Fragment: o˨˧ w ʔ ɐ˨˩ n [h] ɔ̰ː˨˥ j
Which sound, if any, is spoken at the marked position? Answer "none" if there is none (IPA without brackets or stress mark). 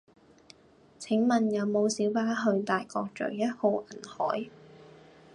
h